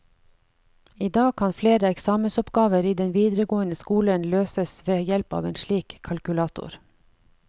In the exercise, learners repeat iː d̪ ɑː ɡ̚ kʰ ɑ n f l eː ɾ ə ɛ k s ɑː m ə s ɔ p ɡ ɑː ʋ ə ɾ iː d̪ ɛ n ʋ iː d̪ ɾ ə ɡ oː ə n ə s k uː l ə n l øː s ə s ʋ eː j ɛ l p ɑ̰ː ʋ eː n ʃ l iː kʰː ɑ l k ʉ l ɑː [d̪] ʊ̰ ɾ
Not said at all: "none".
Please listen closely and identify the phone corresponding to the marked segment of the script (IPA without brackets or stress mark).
t̪